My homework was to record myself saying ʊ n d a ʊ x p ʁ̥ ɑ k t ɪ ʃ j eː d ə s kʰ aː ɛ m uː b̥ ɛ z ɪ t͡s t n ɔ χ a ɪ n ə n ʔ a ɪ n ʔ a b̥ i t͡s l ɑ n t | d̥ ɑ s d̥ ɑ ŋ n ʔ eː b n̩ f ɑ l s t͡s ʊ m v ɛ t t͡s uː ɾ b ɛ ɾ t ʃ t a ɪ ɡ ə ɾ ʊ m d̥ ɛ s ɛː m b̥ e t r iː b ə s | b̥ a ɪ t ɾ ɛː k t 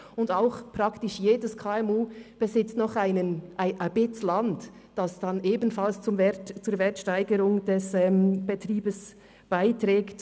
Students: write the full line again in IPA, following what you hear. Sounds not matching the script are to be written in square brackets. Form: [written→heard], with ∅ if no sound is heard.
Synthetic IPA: ʊ n d a ʊ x p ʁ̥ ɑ k t ɪ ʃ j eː d ə s kʰ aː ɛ m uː b̥ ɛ z ɪ t͡s t n ɔ χ a ɪ n ə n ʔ a ɪ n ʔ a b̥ [i→ɪ] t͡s l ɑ n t | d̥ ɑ s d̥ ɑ [ŋ→∅] n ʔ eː b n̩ f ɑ l s t͡s ʊ m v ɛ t t͡s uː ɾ [b→v] ɛ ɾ t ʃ t a ɪ ɡ ə ɾ ʊ [m→ŋ] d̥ ɛ s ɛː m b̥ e t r iː b ə s | b̥ a ɪ t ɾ ɛː k t